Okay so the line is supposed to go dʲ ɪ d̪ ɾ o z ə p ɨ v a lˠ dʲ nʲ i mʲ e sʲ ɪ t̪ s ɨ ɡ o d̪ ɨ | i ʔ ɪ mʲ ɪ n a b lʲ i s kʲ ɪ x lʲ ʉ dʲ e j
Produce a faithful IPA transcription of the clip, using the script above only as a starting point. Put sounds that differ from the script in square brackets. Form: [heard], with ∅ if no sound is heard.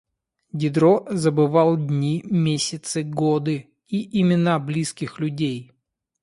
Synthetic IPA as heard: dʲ ɪ d̪ ɾ o z ə [b] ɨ v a lˠ dʲ nʲ i mʲ e sʲ ɪ t̪ s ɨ ɡ o d̪ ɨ | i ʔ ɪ mʲ ɪ n a b lʲ i s kʲ ɪ x lʲ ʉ dʲ e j